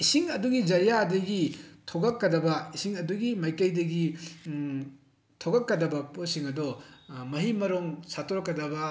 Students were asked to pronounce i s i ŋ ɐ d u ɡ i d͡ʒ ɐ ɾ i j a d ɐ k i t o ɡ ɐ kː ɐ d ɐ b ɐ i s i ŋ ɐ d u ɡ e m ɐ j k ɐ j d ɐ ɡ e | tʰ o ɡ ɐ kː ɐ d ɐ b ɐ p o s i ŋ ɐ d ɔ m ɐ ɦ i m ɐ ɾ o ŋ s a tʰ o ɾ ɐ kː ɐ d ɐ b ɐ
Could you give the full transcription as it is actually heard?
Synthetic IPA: i s i ŋ ɐ d u ɡ i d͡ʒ ɐ ɾ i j a d ɐ ɡ i tʰ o ɡ ɐ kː ɐ d ɐ b ɐ i s i ŋ ɐ d u ɡ i m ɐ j k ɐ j d ɐ ɡ i | tʰ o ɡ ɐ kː ɐ d ɐ b ɐ p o s i ŋ ɐ d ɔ m ɐ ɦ i m ɐ ɾ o ŋ s a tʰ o ɾ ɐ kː ɐ d ɐ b ɐ